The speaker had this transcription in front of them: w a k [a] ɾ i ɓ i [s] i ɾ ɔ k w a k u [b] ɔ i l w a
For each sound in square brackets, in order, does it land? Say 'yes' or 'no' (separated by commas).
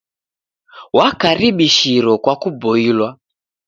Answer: yes, no, yes